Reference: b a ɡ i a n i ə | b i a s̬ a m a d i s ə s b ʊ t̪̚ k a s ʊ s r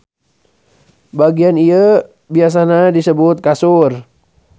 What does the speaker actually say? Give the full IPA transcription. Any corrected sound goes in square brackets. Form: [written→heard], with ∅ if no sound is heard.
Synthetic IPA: b a ɡ i a n i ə | b i a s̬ a [m→n] a d i s ə [s→∅] b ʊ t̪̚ k a s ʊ [s→∅] r